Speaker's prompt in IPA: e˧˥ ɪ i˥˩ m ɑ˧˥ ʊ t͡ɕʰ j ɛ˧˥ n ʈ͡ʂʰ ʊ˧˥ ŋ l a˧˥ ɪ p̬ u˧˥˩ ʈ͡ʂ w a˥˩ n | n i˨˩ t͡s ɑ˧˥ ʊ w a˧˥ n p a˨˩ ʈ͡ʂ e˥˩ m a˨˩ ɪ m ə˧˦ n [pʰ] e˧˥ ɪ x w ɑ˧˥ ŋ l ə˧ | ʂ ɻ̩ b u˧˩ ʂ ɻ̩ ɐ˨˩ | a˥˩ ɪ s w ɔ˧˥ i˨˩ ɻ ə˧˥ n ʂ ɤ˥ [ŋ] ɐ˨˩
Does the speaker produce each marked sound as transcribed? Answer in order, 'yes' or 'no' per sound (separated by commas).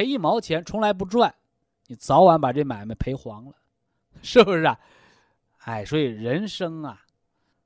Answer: yes, yes